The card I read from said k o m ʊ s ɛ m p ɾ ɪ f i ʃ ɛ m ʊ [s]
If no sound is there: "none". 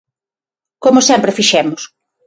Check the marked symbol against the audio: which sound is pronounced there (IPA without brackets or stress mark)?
s